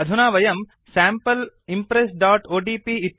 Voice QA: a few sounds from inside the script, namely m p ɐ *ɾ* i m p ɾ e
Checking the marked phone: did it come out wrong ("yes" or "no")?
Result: yes